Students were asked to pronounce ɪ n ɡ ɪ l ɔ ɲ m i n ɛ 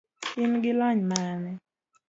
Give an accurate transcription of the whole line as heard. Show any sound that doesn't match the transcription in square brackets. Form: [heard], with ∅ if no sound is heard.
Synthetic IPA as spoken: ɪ n ɡ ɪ l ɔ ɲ m [a] n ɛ